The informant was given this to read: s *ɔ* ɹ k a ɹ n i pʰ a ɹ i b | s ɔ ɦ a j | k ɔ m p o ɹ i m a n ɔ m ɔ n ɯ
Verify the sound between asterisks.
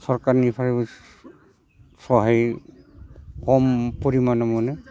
correct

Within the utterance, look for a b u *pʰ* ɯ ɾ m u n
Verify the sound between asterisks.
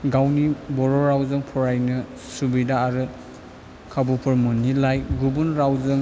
correct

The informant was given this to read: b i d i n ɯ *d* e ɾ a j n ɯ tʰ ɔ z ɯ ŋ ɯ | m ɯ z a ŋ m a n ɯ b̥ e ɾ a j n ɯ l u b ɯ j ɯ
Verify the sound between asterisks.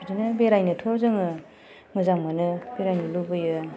incorrect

